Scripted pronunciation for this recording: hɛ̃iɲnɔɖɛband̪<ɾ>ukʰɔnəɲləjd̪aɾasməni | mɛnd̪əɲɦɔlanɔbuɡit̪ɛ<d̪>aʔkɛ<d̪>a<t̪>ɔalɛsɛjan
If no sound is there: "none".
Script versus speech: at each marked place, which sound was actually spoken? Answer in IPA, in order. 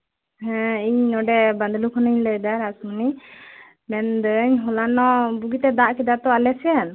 l, d̪, d̪, t̪

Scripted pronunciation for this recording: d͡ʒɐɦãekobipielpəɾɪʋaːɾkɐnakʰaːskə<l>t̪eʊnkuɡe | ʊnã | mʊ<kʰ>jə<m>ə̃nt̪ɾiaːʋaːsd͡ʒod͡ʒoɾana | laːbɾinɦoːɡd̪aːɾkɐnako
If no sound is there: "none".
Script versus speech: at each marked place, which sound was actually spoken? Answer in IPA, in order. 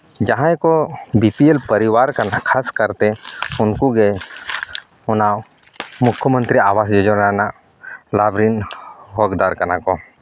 ɾ, kʰ, m

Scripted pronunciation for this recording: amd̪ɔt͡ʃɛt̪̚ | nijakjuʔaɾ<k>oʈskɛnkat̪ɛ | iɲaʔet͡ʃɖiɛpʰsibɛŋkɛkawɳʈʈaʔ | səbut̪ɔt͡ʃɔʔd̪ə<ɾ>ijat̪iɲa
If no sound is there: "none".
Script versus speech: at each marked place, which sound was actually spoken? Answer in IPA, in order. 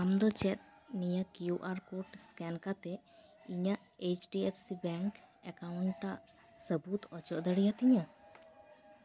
k, ɽ

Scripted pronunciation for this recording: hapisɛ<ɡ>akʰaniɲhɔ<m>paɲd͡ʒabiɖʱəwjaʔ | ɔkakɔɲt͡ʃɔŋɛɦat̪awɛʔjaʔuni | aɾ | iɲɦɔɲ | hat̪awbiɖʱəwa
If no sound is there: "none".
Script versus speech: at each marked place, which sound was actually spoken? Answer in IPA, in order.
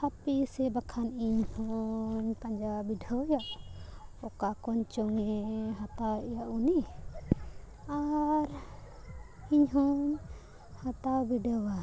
b, ɲ

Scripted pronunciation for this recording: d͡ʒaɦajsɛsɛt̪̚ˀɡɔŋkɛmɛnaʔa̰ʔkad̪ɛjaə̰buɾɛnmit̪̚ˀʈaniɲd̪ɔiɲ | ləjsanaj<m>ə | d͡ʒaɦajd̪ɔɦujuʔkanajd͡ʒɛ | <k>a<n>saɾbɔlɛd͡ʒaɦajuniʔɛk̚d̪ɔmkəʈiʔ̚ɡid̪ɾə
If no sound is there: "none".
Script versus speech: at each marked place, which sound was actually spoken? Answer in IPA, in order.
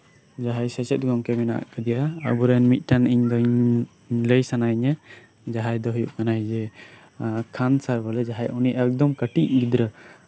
ɲ, kʰ, n

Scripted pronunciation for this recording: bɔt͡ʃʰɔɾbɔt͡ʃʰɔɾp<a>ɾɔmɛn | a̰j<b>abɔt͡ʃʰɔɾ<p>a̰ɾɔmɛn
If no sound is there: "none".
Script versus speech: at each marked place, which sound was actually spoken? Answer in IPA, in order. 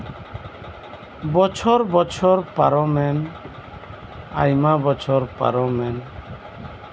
a, m, p

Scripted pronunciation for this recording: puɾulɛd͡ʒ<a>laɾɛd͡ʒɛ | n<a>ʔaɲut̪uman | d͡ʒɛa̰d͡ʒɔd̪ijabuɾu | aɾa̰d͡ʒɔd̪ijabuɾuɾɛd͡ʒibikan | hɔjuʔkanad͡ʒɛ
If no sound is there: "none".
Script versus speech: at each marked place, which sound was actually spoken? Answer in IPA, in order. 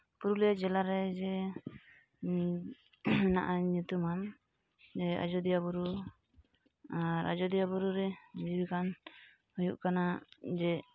ɛ, a

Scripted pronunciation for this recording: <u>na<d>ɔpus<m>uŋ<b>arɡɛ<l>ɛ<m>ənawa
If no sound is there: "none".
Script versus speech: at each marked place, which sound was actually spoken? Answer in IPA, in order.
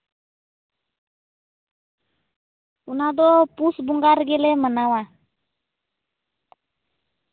u, d, b, ɡ, l, m

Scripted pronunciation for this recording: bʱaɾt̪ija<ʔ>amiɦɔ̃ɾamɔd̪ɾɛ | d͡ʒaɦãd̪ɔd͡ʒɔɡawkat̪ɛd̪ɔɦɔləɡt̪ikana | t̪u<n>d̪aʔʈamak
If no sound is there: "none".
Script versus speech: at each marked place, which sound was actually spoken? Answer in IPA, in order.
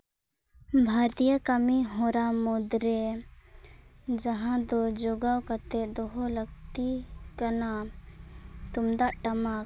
k, m

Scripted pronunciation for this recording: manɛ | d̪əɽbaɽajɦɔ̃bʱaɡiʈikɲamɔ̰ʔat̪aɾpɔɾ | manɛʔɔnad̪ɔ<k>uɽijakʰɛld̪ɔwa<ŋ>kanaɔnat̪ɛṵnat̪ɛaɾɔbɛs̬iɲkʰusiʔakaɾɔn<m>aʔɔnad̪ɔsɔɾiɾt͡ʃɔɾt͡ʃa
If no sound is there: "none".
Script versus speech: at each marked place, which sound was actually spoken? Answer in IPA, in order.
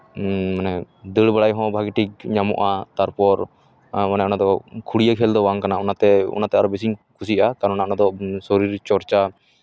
kʰ, ŋ, n

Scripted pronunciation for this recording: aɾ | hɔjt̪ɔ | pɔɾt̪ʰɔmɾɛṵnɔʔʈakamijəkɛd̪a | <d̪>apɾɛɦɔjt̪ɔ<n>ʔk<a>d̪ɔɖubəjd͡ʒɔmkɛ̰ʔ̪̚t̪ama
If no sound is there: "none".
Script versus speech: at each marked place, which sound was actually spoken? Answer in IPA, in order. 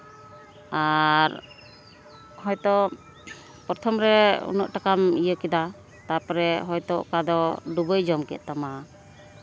t̪, none, a

